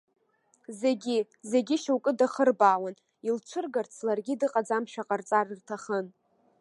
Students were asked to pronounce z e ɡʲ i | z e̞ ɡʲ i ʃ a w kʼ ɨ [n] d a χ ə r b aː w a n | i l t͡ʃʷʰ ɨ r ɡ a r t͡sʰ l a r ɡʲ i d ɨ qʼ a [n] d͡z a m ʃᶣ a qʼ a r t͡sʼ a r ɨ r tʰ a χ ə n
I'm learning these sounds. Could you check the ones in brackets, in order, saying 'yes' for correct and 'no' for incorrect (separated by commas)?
no, no